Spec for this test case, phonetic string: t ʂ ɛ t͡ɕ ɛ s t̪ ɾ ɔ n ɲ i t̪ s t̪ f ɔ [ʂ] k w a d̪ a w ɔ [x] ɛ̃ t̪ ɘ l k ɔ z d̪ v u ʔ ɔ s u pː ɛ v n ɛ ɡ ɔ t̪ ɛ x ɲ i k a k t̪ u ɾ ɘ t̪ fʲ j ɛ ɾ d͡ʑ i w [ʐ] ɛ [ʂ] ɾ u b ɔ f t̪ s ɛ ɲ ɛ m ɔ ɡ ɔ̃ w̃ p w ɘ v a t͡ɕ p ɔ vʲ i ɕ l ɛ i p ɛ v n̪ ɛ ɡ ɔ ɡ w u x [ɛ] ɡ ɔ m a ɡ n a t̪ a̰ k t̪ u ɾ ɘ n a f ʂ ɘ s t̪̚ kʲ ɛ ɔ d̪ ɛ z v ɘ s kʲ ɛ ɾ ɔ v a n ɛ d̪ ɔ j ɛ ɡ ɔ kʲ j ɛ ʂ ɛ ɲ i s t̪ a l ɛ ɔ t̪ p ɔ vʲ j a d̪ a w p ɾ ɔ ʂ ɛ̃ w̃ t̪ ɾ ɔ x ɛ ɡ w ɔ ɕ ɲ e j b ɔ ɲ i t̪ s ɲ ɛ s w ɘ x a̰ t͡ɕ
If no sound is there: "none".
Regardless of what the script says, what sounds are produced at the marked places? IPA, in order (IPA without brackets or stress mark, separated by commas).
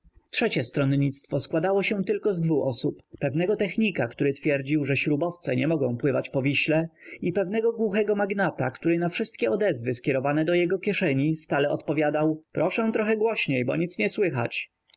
s, ɕ, ʐ, ɕ, ɛ